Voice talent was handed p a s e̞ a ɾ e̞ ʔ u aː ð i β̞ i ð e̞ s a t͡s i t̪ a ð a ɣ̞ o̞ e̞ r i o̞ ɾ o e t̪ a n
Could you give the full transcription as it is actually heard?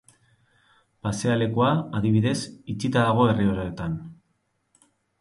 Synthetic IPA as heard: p a s e̞ a l e̞ k u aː ð i β̞ i ð e̞ s i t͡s i t̪ a ð a ɣ̞ o̞ e̞ r i o̞ ɾ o e t̪ a n